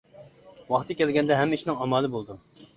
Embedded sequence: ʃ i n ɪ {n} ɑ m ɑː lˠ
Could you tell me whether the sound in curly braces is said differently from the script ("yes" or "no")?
yes